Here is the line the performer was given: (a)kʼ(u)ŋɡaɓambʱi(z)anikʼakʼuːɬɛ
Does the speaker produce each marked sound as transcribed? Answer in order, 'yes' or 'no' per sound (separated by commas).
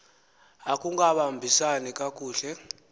yes, yes, no